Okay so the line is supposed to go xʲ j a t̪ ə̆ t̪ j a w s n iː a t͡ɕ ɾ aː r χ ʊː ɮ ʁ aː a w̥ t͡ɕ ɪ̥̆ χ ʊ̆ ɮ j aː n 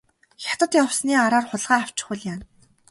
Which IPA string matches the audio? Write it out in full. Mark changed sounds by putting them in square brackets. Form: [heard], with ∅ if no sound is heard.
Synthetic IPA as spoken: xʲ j a t̪ ə̆ t̪ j a w s n iː a [∅] ɾ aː r χ [ʊ] ɮ ʁ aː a w̥ t͡ɕ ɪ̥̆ χ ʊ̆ ɮ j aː n